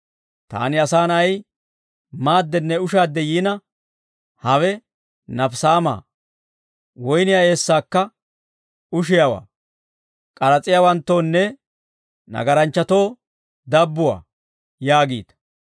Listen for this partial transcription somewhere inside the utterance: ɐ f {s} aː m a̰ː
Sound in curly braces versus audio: correct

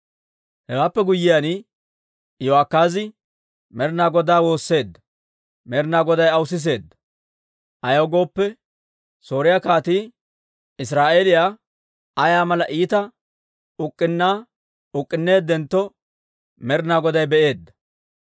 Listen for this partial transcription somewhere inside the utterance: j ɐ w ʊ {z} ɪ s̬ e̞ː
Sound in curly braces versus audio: incorrect: s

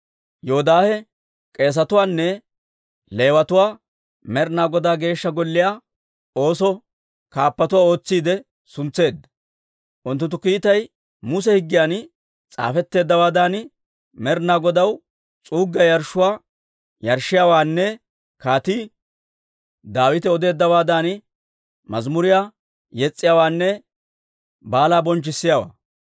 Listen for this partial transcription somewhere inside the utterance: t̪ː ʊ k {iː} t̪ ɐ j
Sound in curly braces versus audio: correct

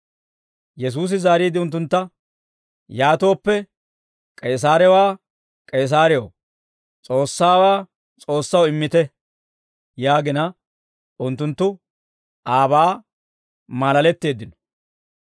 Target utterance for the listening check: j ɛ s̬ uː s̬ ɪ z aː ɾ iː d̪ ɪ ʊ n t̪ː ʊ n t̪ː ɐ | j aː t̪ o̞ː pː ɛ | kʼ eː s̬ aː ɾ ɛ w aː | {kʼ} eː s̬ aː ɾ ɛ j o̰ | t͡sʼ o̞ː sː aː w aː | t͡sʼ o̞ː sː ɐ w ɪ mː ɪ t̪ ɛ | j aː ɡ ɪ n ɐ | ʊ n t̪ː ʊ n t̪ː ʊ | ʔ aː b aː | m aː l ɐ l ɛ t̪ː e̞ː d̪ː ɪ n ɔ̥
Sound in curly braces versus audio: correct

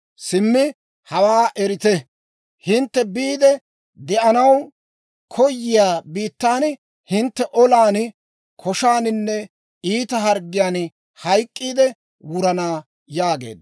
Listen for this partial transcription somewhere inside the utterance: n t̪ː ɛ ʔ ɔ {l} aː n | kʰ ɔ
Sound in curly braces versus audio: correct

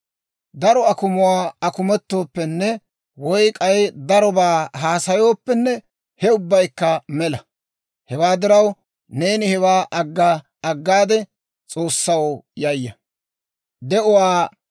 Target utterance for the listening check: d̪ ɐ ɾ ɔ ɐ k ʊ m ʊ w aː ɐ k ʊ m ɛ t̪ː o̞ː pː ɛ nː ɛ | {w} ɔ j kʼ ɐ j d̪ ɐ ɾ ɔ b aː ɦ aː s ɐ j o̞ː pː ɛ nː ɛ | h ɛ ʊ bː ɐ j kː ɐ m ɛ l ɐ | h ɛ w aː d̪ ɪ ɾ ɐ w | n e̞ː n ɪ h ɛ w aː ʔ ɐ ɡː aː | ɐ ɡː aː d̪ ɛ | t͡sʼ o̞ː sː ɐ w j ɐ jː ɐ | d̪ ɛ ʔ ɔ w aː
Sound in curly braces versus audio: correct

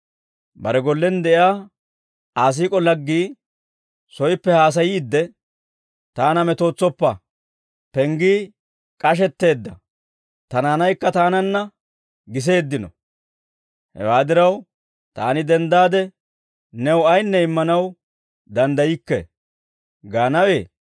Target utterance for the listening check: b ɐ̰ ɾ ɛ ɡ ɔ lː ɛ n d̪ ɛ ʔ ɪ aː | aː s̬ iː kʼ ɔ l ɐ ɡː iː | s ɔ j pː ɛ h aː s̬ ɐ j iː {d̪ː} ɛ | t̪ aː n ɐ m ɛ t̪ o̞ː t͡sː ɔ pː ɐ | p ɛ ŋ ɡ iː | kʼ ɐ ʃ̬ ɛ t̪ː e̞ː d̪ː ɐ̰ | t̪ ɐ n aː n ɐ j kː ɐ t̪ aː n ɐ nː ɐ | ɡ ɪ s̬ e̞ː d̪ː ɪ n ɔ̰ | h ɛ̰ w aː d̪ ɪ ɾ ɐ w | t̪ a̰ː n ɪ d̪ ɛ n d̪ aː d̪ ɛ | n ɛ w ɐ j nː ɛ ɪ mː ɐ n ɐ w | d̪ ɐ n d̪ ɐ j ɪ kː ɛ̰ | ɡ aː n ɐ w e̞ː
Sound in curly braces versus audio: correct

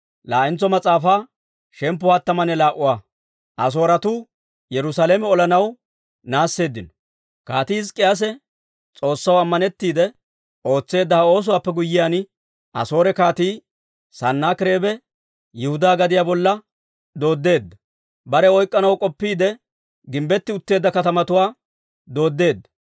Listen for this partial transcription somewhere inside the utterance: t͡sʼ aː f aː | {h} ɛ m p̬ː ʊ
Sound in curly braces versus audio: incorrect: ʃ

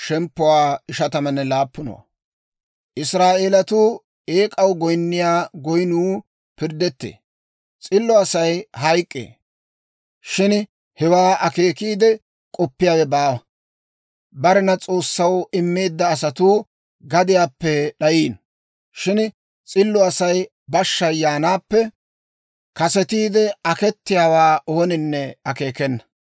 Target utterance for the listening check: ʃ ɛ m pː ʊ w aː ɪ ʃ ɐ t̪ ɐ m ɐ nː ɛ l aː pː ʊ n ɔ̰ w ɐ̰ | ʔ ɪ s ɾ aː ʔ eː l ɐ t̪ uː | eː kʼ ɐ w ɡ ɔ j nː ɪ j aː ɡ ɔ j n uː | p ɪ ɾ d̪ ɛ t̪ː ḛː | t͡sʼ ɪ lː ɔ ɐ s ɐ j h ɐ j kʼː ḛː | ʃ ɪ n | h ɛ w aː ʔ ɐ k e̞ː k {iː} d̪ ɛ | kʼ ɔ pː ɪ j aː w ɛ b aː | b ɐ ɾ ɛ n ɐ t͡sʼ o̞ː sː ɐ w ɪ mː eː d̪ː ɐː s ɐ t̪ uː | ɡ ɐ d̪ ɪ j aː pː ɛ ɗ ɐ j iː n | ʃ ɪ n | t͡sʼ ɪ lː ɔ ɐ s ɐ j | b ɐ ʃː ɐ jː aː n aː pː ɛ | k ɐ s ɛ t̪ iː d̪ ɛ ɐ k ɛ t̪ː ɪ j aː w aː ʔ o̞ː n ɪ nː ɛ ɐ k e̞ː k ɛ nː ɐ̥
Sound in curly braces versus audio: correct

